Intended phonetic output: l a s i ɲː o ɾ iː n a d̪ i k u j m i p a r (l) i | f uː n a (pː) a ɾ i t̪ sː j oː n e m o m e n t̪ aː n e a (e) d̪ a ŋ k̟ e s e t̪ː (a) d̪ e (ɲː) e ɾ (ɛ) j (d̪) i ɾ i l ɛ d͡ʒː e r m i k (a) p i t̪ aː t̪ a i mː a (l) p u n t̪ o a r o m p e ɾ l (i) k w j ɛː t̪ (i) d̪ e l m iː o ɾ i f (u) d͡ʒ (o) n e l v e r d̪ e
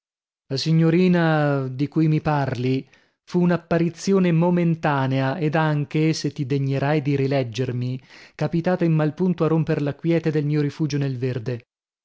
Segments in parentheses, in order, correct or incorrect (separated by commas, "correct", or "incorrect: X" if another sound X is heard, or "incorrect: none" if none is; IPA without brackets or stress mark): correct, correct, correct, incorrect: i, correct, incorrect: a, correct, correct, correct, incorrect: a, incorrect: e, incorrect: uː, correct